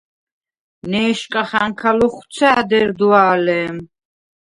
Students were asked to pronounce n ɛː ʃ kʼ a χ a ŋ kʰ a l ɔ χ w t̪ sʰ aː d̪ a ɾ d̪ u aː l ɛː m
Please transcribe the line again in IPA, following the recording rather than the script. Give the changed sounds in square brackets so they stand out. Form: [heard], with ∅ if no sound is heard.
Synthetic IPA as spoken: n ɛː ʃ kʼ a χ a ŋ kʰ a l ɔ χ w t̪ sʰ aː d̪ [ɛ] ɾ d̪ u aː l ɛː m